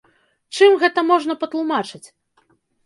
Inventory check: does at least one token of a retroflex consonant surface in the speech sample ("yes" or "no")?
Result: yes